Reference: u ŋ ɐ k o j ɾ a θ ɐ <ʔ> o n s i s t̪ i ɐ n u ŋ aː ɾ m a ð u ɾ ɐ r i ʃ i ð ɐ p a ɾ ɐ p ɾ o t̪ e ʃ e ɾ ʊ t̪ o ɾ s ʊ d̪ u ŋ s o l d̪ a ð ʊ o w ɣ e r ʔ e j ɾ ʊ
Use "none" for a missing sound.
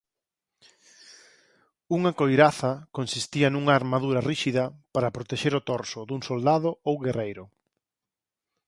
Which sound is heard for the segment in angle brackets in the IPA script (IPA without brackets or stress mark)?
k